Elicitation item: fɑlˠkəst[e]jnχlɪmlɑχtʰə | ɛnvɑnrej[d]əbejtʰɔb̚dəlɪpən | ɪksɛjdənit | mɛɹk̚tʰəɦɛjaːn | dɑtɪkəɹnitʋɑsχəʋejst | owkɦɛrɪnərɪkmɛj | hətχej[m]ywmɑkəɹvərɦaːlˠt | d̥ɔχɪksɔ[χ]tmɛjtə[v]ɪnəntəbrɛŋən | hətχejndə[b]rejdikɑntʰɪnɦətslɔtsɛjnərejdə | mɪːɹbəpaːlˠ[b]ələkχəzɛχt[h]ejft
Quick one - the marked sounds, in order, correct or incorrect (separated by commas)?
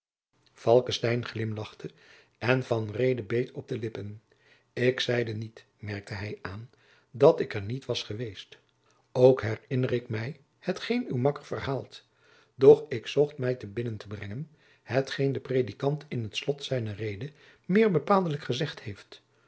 incorrect, correct, incorrect, correct, incorrect, incorrect, incorrect, correct